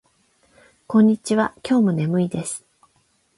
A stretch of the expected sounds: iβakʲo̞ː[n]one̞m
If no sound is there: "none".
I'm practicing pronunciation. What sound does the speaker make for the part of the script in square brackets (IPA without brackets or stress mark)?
m